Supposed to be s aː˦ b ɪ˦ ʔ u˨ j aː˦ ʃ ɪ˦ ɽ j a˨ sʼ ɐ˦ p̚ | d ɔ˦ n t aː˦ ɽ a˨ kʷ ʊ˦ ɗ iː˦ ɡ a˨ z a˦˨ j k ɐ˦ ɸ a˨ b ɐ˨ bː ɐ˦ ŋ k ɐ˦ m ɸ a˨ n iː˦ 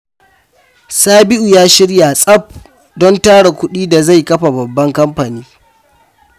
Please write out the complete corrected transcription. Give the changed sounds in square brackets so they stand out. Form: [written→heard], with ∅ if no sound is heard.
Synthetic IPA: s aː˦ b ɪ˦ ʔ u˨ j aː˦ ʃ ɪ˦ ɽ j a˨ sʼ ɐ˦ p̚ | d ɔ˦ n t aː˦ ɽ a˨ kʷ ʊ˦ ɗ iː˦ [ɡ→d] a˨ z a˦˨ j k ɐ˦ ɸ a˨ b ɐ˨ bː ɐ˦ ŋ k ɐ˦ m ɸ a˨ n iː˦

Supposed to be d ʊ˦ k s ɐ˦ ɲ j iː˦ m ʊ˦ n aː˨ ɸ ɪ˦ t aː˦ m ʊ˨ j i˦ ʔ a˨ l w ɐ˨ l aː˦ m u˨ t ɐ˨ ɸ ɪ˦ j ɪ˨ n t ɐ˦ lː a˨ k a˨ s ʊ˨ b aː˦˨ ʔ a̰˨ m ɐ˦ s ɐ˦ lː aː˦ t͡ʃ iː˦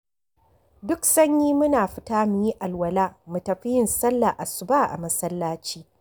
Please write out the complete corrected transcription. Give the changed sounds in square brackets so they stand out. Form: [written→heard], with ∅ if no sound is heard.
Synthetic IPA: d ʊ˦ k s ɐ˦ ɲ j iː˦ m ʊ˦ n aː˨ ɸ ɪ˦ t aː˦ m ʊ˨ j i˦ ʔ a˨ l w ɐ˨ l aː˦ m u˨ t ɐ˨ ɸ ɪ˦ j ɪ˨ n [t→s] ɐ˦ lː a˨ [k→ʔ] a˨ s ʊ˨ b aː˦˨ ʔ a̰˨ m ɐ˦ s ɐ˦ lː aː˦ t͡ʃ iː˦

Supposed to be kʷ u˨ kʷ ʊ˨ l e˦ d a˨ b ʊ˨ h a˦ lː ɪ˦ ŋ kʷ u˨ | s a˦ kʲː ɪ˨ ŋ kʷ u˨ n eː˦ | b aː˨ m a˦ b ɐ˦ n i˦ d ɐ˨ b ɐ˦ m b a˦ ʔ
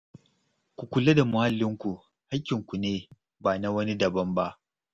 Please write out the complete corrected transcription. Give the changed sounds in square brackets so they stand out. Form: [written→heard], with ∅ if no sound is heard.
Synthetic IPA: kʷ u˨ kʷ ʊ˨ l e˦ d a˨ [b→m] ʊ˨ h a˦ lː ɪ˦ ŋ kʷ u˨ | [s→h] a˦ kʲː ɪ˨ ŋ kʷ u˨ n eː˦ | b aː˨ [m→n] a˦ [b→w] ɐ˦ n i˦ d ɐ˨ b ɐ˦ m b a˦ ʔ

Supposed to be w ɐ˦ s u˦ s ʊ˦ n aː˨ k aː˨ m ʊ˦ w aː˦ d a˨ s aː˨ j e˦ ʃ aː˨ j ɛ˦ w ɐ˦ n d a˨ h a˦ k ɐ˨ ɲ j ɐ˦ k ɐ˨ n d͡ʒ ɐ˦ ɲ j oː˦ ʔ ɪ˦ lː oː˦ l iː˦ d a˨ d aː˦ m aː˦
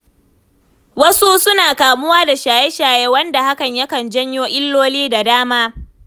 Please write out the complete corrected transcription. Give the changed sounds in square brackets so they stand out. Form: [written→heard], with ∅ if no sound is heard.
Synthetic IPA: w ɐ˦ s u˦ s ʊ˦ n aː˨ k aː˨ m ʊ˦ w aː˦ d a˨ [s→ʃ] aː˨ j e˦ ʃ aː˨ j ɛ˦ w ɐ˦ n d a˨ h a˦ k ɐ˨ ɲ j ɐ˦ k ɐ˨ n d͡ʒ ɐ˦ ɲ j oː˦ ʔ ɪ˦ lː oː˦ l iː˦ d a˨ d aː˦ m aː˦

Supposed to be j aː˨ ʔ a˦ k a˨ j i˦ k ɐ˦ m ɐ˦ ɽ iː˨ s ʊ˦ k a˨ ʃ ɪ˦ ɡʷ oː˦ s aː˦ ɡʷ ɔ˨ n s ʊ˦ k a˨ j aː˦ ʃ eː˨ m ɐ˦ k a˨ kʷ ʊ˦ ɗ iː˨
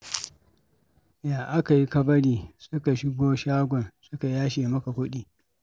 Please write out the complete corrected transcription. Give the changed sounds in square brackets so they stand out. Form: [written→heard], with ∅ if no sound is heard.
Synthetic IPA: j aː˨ ʔ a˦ k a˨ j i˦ k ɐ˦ [m→b] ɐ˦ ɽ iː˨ s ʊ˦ k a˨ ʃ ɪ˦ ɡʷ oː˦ [s→ʃ] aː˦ ɡʷ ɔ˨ n s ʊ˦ k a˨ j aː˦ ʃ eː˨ m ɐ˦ k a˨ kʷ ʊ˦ ɗ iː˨

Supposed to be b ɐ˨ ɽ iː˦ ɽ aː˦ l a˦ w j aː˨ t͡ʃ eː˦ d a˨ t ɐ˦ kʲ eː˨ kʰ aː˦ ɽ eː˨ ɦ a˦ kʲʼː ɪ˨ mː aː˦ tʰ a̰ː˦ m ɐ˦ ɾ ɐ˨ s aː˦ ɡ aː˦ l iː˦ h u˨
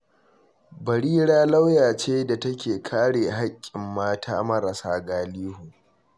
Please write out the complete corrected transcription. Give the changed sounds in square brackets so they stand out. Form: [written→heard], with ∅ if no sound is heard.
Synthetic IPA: b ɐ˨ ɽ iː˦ ɽ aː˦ l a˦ w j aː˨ t͡ʃ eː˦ d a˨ t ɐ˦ kʲ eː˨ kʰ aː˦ ɽ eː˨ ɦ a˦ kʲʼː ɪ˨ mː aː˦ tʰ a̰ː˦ m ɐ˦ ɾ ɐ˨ s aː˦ ɡ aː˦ l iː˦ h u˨

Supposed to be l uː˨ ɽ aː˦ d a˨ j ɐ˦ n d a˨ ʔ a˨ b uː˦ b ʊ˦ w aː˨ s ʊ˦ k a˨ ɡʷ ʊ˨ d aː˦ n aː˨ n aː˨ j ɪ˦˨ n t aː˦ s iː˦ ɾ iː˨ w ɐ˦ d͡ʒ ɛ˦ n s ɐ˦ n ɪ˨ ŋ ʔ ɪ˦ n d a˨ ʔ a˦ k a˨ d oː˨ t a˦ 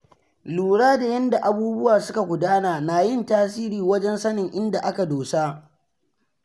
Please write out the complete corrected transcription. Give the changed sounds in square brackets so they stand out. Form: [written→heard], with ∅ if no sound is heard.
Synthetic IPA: l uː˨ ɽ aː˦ d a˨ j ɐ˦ n d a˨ ʔ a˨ b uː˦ b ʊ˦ w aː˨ s ʊ˦ k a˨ ɡʷ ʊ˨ d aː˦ n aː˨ n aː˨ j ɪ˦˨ n t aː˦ s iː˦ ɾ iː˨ w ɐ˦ d͡ʒ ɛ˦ n s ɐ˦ n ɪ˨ ŋ ʔ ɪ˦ n d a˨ ʔ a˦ k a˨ d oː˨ [t→s] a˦

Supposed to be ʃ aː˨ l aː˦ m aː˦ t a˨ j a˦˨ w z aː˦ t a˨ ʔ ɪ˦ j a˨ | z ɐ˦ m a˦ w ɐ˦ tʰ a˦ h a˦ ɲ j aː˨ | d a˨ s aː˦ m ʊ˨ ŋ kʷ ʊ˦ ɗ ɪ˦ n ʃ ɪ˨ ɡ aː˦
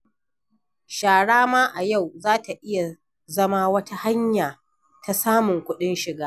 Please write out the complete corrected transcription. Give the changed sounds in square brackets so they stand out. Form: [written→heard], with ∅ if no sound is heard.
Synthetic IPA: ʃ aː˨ [l→ɽ] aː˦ m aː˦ [t→ʔ] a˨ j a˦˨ w z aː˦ t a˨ ʔ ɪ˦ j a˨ | z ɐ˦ m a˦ w ɐ˦ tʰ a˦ h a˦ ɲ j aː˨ | [d→t] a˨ s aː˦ m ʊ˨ ŋ kʷ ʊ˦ ɗ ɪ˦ n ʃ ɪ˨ ɡ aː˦

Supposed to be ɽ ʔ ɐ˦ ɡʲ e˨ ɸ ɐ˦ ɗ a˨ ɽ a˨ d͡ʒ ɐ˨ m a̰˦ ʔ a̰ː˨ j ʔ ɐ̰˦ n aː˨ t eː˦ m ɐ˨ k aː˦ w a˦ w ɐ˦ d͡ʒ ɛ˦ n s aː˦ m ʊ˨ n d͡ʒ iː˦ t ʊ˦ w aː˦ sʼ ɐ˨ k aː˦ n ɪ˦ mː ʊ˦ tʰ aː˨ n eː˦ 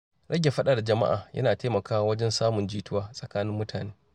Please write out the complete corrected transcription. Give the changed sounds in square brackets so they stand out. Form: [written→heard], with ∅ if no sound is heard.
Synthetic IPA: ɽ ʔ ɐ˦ ɡʲ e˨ ɸ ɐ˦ ɗ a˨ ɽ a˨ d͡ʒ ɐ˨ m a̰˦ ʔ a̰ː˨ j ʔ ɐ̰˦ n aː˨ t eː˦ m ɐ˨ k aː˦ w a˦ w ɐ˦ d͡ʒ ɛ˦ n s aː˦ m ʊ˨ n d͡ʒ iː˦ t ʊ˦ w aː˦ sʼ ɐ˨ k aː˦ n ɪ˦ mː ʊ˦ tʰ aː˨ n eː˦

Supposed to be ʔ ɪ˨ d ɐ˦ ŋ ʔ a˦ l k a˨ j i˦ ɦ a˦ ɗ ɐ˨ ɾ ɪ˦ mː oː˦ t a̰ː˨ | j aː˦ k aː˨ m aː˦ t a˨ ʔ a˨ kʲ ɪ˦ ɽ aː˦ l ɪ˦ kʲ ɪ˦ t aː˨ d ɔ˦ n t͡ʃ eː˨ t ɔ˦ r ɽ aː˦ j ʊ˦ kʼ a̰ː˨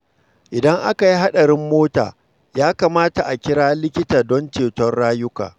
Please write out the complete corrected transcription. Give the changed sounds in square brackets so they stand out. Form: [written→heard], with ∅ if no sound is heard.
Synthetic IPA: ʔ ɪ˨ d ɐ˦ ŋ ʔ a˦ [l→∅] k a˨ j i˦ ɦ a˦ ɗ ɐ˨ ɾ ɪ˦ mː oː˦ t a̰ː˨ | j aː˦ k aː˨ m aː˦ t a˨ ʔ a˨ kʲ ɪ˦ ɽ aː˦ l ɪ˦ kʲ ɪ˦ t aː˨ d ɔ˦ n t͡ʃ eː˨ t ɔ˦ r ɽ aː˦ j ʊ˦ [kʼ→k] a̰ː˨

